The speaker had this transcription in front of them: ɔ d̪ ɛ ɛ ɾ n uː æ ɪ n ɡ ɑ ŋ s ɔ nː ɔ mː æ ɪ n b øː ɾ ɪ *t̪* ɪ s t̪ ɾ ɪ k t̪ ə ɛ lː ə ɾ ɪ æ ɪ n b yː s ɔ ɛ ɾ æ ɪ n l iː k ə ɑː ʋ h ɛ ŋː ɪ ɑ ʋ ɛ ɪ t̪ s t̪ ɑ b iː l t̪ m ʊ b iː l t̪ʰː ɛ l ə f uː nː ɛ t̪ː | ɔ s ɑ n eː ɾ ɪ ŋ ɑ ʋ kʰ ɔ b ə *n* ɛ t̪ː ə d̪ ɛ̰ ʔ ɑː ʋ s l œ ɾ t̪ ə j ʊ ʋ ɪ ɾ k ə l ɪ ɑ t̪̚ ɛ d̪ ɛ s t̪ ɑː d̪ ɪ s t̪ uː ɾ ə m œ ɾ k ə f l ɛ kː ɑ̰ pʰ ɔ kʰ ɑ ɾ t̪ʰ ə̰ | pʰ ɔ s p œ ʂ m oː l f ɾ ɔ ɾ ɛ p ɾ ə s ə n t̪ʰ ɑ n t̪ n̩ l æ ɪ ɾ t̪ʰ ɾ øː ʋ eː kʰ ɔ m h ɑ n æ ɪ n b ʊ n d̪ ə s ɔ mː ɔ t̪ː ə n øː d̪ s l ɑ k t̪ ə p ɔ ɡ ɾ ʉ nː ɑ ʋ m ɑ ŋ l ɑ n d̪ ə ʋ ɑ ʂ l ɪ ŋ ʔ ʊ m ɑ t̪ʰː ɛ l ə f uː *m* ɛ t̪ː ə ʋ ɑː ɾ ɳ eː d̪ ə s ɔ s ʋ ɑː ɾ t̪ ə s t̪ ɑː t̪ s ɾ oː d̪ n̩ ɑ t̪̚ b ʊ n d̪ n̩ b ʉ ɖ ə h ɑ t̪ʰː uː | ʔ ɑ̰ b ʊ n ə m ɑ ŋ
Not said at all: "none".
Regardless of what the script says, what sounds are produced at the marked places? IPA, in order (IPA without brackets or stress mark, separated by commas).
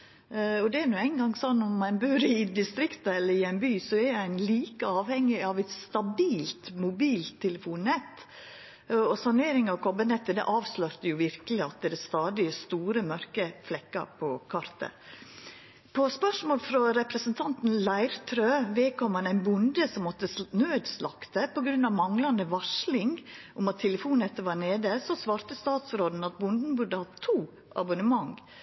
d̪, n, n